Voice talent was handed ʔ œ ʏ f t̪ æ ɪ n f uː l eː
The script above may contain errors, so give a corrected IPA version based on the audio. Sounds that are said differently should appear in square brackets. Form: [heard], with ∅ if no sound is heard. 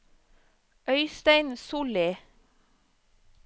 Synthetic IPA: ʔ œ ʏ [s] t̪ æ ɪ n [s] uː l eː